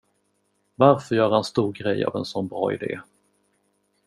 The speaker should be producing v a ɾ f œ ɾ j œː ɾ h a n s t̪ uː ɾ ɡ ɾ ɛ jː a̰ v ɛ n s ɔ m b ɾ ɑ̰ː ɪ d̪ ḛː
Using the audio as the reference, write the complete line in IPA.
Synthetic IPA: v a ɾ f œ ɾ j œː ɾ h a n s t̪ uː ɾ ɡ ɾ ɛ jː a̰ v ɛ n s ɔ n b ɾ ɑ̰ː ɪ d̪ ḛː

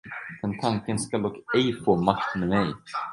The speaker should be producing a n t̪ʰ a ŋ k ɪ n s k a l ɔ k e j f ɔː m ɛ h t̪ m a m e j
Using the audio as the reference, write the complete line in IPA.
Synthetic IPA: ɛ n t̪ʰ a ŋ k ɪ n s k a l ɔ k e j f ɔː m a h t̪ m ɛ m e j

